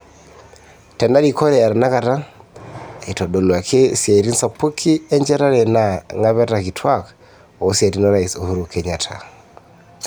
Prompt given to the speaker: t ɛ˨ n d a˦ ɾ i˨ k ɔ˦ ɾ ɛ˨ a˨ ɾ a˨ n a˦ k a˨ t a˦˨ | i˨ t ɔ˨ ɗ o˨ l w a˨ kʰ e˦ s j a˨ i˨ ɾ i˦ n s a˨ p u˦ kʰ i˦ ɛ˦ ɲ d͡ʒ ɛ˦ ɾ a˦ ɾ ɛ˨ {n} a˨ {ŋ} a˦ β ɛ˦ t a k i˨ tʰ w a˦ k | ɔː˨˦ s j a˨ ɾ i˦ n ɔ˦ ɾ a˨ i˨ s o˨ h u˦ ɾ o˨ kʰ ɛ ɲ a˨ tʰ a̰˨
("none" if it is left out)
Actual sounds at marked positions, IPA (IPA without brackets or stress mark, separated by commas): n, ŋ